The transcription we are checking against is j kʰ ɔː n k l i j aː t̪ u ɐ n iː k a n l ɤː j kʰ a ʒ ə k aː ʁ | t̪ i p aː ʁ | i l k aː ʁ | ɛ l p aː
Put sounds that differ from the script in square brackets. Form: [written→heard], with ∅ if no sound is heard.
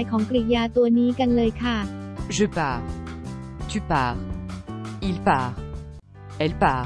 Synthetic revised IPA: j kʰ ɔː [n→ŋ] k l i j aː t̪ u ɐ n iː k a n l ɤː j kʰ a ʒ ə [k→p] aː ʁ | t̪ [i→y] p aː ʁ | i l [k→p] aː ʁ | ɛ l p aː